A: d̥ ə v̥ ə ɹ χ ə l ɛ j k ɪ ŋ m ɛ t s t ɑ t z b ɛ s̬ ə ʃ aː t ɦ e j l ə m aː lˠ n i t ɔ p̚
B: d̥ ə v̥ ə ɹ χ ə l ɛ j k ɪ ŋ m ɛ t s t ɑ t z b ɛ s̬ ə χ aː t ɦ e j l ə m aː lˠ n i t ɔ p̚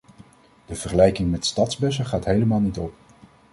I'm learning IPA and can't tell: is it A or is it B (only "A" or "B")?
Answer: B